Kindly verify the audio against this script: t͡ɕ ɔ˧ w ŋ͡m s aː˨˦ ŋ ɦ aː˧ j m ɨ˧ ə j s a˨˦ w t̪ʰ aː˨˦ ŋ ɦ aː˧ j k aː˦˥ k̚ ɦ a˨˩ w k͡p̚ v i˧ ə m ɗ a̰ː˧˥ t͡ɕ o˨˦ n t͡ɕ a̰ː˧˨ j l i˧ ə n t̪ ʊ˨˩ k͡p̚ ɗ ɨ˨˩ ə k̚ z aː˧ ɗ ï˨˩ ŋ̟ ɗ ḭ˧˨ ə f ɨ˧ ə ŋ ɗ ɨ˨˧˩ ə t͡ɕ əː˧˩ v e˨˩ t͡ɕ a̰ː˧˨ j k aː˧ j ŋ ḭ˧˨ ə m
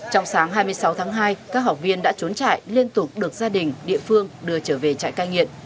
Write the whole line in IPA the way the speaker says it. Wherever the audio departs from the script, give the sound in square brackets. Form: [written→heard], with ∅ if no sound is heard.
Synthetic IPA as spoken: t͡ɕ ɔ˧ w ŋ͡m s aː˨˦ ŋ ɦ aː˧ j m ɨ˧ ə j s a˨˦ w t̪ʰ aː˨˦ ŋ ɦ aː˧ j k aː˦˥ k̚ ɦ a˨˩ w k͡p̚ v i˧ ə [m→n] ɗ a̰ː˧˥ t͡ɕ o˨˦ n t͡ɕ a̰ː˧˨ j l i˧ ə n t̪ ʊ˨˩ k͡p̚ ɗ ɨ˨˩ ə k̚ z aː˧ ɗ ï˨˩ ŋ̟ ɗ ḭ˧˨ ə f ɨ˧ ə ŋ ɗ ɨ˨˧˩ ə t͡ɕ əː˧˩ v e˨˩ t͡ɕ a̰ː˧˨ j k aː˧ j ŋ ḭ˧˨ ə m